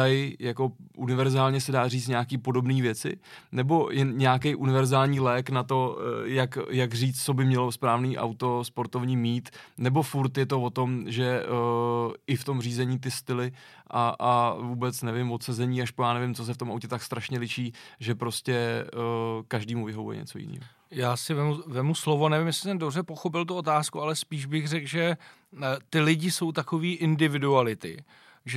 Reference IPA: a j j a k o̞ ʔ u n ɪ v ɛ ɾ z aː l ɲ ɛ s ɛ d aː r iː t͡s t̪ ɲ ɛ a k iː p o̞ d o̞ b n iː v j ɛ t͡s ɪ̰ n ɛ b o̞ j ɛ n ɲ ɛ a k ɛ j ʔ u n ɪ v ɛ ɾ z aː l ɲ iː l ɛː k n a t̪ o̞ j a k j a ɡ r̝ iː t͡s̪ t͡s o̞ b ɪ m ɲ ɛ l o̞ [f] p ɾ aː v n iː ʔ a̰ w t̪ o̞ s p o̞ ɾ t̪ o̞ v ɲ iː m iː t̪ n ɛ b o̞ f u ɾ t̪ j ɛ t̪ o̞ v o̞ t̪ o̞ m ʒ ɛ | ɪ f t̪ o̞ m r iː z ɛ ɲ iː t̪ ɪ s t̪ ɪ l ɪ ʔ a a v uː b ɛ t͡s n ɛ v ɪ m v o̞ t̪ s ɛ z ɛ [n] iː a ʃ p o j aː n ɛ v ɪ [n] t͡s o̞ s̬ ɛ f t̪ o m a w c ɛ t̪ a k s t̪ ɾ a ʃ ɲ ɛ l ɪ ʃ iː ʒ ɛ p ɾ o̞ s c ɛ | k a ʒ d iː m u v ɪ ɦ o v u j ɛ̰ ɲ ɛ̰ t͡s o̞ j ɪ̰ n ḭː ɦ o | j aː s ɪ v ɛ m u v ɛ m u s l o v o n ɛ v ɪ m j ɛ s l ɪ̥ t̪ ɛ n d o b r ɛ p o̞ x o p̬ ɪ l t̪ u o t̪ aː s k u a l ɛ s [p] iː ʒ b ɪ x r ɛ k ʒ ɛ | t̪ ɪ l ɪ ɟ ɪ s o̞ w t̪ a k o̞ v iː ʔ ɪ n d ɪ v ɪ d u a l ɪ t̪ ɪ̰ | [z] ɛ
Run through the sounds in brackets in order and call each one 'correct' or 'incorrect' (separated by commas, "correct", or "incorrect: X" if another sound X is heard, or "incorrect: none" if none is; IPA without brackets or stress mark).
incorrect: s, incorrect: ɲ, incorrect: m, correct, incorrect: ʒ